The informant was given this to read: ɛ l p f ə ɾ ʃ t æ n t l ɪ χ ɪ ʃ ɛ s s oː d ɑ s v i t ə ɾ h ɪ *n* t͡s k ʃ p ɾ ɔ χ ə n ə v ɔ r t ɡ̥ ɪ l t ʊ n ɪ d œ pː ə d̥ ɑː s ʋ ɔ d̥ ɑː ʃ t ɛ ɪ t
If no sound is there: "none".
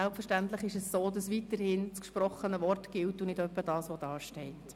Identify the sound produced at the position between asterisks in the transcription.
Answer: n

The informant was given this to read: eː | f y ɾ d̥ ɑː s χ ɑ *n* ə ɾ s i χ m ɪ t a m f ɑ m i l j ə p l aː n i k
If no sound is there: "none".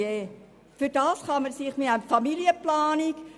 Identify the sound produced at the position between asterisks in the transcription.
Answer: m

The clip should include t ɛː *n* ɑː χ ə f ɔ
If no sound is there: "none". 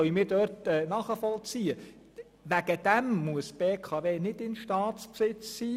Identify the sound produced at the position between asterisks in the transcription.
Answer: n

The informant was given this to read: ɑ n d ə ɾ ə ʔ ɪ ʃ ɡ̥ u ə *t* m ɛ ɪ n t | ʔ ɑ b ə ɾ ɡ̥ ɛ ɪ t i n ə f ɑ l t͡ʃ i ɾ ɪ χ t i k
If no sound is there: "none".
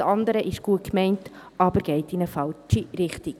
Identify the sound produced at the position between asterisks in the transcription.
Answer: k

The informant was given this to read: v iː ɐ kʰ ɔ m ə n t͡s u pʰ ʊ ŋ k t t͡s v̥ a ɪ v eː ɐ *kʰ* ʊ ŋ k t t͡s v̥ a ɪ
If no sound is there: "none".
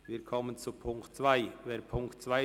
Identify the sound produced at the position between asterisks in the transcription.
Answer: pʰ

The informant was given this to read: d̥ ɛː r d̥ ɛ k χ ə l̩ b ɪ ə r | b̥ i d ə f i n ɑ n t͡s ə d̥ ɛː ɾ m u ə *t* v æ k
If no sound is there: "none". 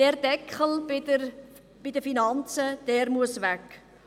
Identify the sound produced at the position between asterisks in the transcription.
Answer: s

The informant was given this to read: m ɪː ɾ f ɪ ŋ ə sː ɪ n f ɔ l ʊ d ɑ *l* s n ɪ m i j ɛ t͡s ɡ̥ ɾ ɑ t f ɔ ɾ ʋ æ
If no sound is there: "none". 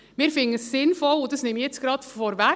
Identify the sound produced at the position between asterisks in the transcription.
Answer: none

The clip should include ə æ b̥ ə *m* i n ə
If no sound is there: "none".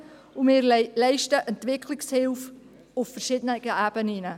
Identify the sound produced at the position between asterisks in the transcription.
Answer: n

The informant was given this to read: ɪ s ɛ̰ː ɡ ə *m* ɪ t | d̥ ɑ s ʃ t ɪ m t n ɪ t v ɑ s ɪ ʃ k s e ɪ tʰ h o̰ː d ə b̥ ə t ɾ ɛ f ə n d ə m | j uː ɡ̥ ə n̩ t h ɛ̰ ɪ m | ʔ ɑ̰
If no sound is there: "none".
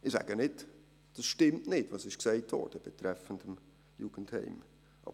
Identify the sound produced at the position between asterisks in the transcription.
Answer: n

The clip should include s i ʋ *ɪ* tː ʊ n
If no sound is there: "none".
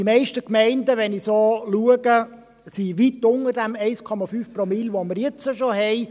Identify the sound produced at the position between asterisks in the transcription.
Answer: i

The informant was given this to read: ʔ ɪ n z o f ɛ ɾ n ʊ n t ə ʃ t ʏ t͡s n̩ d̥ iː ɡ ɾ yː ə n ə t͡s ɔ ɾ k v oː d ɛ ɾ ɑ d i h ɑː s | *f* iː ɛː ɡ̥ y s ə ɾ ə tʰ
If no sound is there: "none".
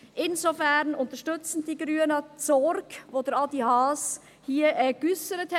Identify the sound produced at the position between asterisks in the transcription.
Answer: h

